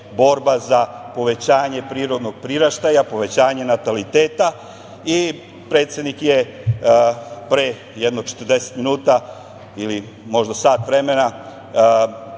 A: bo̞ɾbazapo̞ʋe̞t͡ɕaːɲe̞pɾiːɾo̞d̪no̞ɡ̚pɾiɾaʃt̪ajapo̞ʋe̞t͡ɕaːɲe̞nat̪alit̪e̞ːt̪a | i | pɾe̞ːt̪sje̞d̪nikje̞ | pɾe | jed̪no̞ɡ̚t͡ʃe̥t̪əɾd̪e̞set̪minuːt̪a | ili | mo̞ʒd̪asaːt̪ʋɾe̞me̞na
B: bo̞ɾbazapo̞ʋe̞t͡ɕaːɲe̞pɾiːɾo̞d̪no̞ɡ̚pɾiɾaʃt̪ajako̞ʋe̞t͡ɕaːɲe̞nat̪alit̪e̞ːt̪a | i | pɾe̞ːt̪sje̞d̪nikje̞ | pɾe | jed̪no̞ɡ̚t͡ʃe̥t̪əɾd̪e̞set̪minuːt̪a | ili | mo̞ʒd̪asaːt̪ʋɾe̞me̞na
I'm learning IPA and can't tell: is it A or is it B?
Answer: A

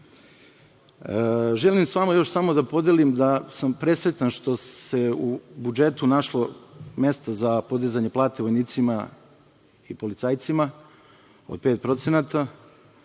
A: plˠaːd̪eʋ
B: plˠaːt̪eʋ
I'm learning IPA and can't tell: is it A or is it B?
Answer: B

